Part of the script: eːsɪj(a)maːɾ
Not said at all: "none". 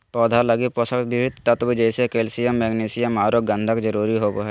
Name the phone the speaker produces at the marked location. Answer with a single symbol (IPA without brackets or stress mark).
ə